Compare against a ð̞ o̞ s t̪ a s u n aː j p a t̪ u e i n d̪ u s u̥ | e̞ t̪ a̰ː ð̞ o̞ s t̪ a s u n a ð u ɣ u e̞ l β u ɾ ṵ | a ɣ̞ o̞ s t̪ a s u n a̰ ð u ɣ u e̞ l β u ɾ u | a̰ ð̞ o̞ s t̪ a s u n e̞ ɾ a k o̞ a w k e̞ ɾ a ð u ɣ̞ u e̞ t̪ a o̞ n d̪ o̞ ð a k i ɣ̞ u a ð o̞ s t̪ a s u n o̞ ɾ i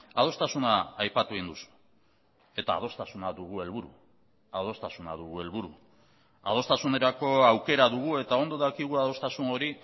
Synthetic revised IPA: a ð̞ o̞ s t̪ a s u n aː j p a t̪ u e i n d̪ u s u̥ | e̞ t̪ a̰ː ð̞ o̞ s t̪ a s u n a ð u ɣ u e̞ l β u ɾ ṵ | a ð̞ o̞ s t̪ a s u n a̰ ð u ɣ u e̞ l β u ɾ u | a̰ ð̞ o̞ s t̪ a s u n e̞ ɾ a k o̞ a w k e̞ ɾ a ð u ɣ̞ u e̞ t̪ a o̞ n d̪ o̞ ð a k i ɣ̞ u a ð o̞ s t̪ a s u n o̞ ɾ i